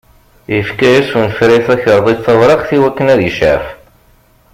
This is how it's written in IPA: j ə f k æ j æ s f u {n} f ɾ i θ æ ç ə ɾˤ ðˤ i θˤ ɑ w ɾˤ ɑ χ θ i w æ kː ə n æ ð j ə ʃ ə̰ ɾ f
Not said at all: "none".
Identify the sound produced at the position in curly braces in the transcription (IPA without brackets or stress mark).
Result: n